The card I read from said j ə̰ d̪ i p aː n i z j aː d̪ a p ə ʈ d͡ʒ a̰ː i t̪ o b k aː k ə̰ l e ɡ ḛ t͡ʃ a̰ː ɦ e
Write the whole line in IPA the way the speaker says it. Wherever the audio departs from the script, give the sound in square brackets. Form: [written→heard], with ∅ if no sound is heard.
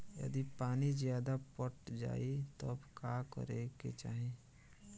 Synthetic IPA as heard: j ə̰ d̪ i p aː n i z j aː d̪ a p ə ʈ d͡ʒ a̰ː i t̪ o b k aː k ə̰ [l→ɾ] e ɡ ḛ t͡ʃ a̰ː ɦ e